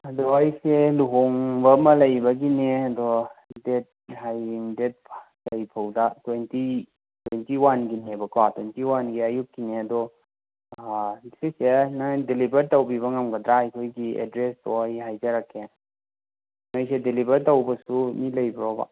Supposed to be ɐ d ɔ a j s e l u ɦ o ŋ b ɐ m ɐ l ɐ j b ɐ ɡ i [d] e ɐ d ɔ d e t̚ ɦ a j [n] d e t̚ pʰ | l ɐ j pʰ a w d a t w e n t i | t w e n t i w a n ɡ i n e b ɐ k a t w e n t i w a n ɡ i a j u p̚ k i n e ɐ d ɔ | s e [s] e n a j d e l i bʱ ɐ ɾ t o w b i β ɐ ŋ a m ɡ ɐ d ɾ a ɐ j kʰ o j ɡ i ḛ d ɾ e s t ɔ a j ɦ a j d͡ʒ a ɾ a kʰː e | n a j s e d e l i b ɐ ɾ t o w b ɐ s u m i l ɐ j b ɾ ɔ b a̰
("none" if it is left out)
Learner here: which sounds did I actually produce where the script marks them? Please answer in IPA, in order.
n, ŋ, s

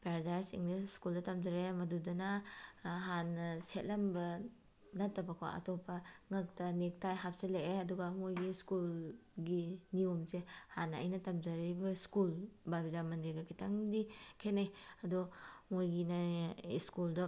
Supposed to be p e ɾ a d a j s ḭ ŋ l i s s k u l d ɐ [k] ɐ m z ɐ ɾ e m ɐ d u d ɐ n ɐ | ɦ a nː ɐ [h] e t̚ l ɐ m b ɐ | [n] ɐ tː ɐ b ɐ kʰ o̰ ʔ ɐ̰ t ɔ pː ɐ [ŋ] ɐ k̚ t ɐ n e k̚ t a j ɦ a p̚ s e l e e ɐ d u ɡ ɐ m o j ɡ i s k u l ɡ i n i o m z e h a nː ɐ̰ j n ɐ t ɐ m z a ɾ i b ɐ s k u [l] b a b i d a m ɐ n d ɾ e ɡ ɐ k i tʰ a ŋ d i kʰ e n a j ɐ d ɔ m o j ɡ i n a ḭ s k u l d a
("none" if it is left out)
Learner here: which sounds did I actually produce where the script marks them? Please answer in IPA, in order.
t, s, n, ŋ, l

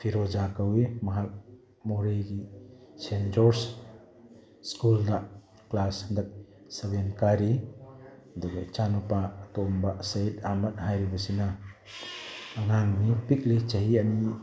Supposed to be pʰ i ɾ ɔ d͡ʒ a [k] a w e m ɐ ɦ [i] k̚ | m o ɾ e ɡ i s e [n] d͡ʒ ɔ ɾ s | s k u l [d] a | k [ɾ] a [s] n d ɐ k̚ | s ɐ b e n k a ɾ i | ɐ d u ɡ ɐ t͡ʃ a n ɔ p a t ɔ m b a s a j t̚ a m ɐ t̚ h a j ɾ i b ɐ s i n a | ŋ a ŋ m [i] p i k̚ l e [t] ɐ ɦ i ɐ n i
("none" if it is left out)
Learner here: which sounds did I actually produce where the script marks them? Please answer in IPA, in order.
k, a, n, d, l, s, i, t͡ʃ

